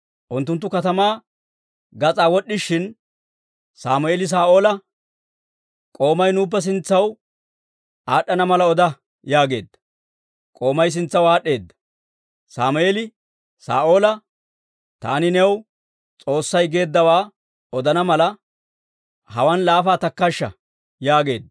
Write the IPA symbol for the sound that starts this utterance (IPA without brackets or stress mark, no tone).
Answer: ʔ